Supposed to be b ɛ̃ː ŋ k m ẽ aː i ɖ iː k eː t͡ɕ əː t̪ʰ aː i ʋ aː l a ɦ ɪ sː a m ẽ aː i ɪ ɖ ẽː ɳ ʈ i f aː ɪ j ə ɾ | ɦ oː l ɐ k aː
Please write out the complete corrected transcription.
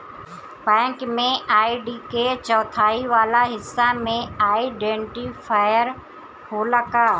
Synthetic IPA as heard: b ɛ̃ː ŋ k m ẽ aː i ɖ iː k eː t͡ɕ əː t̪ʰ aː i ʋ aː l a ɦ ɪ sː a m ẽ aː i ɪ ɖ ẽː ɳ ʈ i f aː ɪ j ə ɾ | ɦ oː l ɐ k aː